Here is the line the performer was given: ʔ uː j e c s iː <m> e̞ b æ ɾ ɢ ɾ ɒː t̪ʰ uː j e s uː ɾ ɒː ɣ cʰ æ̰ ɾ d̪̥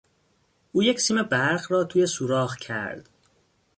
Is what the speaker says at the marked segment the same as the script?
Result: yes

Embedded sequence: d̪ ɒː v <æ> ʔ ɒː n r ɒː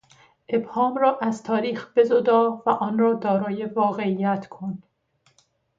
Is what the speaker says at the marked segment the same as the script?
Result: yes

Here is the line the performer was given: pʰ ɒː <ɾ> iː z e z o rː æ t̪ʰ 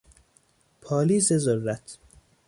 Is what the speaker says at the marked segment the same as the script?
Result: no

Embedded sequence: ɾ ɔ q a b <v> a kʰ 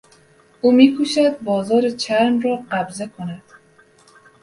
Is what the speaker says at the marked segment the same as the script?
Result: no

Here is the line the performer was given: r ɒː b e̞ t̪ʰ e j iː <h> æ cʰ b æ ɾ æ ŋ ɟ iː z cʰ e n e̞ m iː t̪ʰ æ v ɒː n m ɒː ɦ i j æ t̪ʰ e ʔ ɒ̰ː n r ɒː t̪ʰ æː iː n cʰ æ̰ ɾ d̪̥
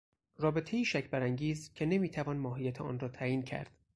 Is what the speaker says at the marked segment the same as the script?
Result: no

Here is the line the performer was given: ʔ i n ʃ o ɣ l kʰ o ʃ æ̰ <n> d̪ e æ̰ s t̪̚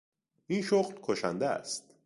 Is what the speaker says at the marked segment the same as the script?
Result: yes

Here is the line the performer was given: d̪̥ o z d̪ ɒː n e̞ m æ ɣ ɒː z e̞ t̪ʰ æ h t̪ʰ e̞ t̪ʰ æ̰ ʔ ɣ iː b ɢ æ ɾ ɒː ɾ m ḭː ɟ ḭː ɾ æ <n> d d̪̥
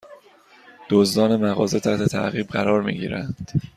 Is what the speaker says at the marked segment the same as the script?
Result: yes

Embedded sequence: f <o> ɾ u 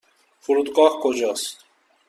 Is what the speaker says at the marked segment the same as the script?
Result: no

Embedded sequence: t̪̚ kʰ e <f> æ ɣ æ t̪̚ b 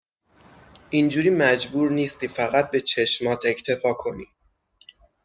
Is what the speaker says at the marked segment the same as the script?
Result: yes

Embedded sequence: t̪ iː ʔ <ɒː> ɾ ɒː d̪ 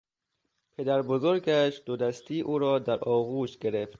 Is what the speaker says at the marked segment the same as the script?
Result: no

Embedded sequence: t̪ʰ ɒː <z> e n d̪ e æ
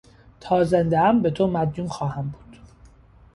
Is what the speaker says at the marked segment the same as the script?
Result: yes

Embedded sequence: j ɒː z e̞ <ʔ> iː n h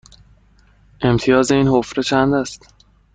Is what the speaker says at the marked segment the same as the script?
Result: no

